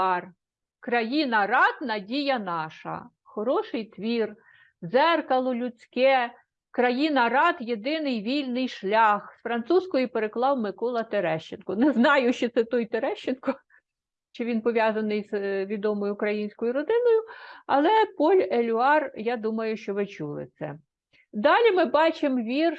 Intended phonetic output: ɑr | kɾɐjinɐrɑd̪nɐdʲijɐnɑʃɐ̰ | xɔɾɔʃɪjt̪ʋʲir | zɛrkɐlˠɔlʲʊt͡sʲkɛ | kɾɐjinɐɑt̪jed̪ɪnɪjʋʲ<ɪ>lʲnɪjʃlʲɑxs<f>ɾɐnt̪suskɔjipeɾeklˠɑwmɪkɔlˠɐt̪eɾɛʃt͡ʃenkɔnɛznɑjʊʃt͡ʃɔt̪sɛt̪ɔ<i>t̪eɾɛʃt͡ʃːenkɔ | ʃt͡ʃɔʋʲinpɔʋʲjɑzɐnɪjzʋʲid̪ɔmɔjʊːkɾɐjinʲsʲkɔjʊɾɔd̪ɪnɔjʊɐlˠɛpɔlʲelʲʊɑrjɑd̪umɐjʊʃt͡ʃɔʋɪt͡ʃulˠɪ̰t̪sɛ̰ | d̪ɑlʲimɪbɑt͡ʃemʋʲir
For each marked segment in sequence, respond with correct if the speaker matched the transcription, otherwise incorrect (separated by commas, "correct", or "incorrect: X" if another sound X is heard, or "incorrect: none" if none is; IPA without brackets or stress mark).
incorrect: i, correct, incorrect: j